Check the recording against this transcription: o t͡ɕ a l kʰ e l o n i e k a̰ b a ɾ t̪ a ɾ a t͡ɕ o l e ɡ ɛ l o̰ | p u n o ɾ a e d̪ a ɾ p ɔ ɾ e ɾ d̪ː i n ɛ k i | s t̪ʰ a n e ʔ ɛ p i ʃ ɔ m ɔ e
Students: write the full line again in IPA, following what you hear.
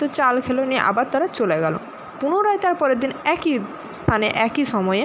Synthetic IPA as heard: o t͡ɕ a l kʰ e l o n i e ʔ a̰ b a ɾ t̪ a ɾ a t͡ɕ o l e ɡ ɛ l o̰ | p u n o ɾ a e t̪ a ɾ p ɔ ɾ e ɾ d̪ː i n ɛ k i | s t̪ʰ a n e ʔ ɛ k i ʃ ɔ m ɔ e